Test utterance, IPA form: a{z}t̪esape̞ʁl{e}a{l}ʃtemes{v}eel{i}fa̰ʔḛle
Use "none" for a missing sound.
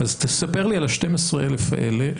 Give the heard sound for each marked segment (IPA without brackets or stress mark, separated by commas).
z, i, l, ʁ, e